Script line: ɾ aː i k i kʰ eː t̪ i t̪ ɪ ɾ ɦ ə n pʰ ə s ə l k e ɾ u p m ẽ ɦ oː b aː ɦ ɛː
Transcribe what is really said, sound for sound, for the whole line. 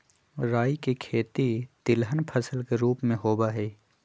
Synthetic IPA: ɾ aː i k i kʰ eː t̪ i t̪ ɪ l ɦ ə n pʰ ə s ə l k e ɾ uː p m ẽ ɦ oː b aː ɦ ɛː